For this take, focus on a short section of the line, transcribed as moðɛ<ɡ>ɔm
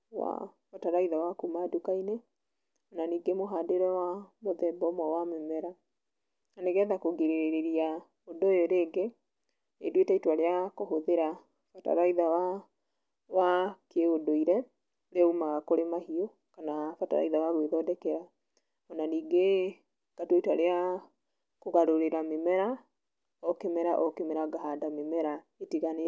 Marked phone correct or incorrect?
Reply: incorrect